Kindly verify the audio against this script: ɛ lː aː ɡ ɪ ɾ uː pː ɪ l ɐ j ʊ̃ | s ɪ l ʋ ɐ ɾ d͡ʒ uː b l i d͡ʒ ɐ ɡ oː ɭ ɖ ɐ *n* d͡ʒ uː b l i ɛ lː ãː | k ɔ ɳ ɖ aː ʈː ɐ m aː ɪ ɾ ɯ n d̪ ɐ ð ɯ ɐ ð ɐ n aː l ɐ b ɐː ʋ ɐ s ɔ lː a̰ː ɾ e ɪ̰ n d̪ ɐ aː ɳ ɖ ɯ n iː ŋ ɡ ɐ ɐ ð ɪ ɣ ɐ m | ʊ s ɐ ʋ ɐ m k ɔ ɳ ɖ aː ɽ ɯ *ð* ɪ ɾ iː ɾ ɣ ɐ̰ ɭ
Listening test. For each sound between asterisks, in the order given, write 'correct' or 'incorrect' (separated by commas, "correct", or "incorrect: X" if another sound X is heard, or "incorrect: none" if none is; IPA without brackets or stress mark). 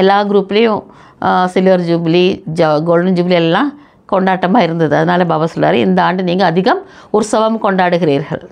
correct, incorrect: ɣ